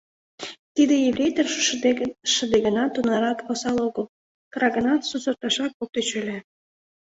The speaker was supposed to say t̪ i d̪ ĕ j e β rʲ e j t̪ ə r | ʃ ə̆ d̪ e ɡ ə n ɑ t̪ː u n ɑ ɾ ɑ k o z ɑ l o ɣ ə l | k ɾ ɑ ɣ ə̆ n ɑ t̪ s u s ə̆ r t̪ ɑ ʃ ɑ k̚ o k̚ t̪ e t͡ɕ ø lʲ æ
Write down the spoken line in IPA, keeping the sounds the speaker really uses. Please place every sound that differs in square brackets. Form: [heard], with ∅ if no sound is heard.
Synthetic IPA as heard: t̪ i d̪ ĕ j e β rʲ e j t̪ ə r | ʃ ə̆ d̪ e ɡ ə n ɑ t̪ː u n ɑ ɾ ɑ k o [s] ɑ l o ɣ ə l | k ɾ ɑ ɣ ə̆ n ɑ t̪ s u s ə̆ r t̪ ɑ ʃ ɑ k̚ o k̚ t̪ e t͡ɕ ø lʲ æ